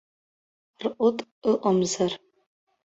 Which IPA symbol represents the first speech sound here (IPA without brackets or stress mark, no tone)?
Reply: r